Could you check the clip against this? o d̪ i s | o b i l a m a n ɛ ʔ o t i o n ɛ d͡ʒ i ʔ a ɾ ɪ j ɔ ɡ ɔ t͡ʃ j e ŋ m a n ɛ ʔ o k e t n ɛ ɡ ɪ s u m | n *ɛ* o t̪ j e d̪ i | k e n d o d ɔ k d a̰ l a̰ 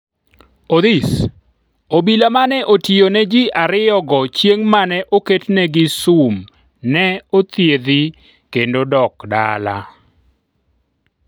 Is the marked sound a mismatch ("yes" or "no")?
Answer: no